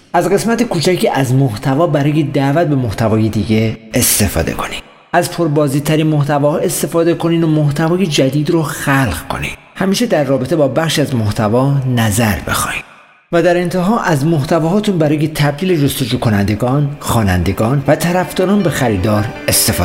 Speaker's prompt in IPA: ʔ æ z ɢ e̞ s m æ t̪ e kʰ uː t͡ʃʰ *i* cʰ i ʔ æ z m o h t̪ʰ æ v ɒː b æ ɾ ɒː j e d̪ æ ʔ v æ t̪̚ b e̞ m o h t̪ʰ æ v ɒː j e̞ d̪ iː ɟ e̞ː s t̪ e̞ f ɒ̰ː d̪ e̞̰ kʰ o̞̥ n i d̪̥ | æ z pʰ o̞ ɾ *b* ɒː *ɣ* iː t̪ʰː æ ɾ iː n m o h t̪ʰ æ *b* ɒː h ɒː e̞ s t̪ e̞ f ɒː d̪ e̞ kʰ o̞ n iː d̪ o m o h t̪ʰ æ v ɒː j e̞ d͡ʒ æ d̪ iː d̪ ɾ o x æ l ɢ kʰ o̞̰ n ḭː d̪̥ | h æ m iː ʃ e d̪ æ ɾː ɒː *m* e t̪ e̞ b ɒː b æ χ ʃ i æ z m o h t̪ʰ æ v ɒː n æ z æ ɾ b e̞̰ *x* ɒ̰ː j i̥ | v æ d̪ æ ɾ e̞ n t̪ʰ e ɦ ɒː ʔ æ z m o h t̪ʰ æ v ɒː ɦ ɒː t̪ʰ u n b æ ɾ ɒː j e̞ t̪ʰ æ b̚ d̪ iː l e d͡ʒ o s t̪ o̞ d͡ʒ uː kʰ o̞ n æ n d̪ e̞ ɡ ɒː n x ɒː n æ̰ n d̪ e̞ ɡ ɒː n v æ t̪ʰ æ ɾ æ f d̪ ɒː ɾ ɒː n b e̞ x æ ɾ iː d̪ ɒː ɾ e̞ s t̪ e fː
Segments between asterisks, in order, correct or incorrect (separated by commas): incorrect, correct, incorrect, incorrect, incorrect, correct